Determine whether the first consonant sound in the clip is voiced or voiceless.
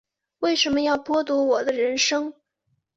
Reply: voiced